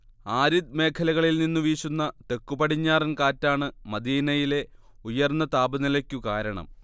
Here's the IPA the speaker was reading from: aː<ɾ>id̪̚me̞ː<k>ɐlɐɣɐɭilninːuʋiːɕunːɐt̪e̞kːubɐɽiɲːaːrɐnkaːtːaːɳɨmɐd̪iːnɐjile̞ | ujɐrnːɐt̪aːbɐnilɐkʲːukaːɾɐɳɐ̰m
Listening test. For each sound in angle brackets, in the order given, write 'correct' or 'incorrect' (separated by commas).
correct, incorrect